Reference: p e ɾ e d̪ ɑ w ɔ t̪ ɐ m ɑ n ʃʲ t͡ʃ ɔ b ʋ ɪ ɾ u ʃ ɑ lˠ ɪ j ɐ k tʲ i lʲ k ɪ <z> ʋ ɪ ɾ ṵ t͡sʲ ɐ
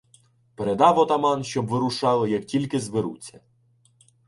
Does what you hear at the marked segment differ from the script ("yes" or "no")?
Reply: no